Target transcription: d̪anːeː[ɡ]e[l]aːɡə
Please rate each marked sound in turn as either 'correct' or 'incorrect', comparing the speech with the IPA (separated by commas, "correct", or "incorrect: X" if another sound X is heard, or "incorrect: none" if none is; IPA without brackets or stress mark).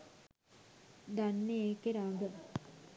incorrect: k, incorrect: ɾ